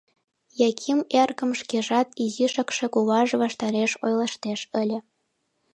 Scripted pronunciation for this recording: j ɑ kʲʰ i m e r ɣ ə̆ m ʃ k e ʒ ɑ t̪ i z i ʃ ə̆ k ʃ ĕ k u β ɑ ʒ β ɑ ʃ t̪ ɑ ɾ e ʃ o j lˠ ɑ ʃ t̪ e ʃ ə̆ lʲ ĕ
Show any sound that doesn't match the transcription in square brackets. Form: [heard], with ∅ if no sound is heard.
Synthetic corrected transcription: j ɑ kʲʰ i m e r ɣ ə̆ m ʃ k e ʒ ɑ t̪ i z i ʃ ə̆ k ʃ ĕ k u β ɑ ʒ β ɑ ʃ t̪ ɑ ɾ e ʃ o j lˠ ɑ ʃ t̪ e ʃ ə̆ lʲ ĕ